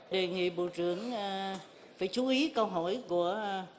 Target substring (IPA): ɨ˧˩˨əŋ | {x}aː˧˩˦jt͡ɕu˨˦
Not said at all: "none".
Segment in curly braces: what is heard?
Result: f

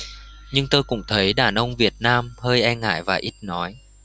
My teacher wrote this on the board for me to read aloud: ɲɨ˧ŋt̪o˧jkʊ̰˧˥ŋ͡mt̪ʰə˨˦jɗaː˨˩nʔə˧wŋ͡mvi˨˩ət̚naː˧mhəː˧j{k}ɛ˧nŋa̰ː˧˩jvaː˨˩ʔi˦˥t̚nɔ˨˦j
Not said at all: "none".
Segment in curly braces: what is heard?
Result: ʔ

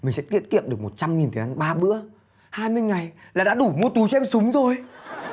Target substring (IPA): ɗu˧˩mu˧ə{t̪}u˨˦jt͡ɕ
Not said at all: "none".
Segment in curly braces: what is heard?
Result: t̪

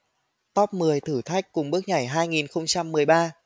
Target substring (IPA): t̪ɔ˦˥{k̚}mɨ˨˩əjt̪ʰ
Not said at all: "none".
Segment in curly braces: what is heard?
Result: p̚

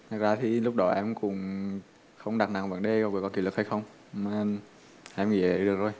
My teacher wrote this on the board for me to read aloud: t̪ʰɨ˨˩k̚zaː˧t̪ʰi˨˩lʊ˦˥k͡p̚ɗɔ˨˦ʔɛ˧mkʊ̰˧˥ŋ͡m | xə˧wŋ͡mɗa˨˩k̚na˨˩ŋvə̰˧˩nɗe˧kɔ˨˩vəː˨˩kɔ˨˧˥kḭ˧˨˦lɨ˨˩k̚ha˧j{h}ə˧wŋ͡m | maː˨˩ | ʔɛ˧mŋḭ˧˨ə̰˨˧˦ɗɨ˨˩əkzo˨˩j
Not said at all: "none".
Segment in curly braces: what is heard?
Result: x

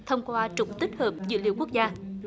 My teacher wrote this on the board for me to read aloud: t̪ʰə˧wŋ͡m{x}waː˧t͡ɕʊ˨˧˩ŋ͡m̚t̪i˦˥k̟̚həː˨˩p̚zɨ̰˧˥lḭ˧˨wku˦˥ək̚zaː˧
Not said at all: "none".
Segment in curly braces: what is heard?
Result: k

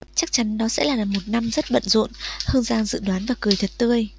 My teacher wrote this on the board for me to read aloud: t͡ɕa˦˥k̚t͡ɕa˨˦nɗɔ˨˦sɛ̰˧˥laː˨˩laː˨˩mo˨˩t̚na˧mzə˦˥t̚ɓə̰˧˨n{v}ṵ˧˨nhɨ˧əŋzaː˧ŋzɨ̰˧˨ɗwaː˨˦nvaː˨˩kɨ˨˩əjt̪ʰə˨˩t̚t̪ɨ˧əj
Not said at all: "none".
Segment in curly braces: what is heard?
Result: z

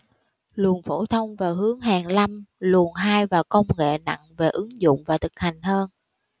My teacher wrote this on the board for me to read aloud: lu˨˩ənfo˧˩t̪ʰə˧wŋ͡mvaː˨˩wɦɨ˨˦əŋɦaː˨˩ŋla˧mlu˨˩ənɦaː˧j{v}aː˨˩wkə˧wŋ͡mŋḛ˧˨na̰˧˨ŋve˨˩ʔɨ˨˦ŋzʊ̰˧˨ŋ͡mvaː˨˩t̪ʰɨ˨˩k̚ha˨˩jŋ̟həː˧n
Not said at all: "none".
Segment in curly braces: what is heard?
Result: v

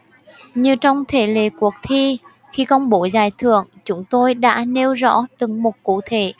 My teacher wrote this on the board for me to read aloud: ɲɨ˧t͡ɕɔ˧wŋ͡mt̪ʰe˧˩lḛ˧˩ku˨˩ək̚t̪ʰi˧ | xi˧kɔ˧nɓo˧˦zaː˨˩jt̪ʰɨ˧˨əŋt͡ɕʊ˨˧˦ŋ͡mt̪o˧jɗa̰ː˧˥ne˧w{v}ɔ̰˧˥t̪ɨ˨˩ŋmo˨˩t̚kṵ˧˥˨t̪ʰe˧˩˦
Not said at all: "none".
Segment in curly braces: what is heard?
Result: z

